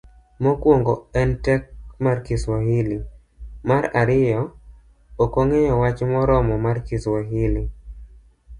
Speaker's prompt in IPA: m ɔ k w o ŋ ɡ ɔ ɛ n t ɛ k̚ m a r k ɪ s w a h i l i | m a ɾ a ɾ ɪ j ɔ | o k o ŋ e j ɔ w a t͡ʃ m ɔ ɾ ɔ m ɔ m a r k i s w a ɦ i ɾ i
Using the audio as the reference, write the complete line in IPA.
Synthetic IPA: m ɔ k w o ŋ ɡ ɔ ɛ n t ɛ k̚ m a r k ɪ s w a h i l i | m a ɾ a ɾ ɪ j ɔ | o k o ŋ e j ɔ w a t͡ʃ m ɔ ɾ ɔ m ɔ m a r k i s w a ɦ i l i